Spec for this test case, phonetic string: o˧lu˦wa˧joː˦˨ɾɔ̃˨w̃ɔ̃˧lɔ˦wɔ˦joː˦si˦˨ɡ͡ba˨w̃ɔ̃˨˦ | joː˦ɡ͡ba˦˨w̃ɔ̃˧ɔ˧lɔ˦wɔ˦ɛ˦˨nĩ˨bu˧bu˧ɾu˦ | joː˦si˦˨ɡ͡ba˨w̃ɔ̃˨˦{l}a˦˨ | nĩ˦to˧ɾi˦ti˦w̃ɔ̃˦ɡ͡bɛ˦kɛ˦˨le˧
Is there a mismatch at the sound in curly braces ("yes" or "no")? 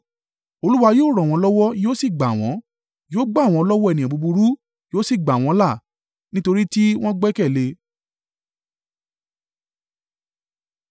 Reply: no